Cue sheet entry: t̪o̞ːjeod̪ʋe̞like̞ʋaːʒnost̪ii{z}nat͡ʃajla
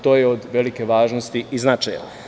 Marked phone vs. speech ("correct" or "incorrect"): correct